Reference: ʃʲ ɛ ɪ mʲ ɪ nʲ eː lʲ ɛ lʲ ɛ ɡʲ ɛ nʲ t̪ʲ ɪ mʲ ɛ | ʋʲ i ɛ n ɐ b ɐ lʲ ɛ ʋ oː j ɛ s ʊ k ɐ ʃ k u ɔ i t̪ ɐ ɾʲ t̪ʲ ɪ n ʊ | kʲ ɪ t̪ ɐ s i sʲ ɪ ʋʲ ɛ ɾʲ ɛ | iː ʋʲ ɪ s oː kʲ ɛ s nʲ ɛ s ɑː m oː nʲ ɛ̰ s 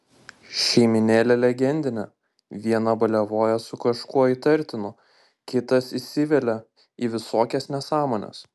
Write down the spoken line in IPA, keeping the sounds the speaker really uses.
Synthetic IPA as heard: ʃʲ ɛ ɪ mʲ ɪ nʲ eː lʲ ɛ lʲ ɛ ɡʲ ɛ nʲ d̪ʲ ɪ nʲ ɛ | ʋʲ i ɛ n ɐ b ɐ lʲ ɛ ʋ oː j ɛ s ʊ k ɐ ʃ k u ɔ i t̪ ɐ ɾʲ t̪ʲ ɪ n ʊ | kʲ ɪ t̪ ɐ s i sʲ ɪ ʋʲ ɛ lʲ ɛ | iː ʋʲ ɪ s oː kʲ ɛ s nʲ ɛ s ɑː m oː nʲ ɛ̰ s